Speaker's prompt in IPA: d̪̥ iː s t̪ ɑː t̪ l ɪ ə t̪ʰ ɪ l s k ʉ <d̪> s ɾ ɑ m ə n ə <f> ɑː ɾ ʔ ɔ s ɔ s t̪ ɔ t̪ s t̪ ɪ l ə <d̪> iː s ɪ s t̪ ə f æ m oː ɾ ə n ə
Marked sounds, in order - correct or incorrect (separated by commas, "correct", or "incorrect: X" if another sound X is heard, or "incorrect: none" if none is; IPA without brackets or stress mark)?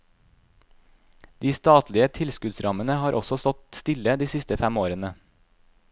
correct, incorrect: h, correct